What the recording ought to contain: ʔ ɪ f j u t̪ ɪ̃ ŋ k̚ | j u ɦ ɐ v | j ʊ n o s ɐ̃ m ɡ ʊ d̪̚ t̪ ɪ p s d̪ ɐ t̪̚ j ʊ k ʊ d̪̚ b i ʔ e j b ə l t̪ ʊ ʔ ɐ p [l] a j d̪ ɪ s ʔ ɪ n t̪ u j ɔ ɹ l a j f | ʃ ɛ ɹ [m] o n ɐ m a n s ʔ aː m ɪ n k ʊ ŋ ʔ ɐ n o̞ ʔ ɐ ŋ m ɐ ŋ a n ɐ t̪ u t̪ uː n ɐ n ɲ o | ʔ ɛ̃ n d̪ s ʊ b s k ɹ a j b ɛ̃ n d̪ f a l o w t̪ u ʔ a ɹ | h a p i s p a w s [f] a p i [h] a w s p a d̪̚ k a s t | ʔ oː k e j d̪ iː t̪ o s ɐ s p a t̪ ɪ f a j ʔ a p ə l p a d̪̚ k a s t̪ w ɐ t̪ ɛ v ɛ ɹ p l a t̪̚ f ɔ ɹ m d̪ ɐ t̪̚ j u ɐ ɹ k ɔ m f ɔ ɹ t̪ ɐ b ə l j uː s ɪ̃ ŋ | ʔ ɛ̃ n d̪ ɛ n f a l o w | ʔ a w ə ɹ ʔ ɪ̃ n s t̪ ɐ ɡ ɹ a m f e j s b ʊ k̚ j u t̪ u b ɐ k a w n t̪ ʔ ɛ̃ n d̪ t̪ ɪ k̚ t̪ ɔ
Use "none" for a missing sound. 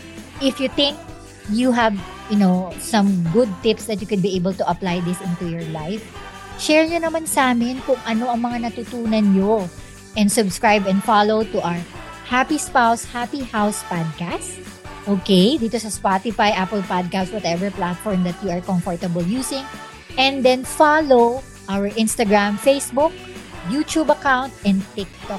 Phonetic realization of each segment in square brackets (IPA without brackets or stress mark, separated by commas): l, ɲ, h, h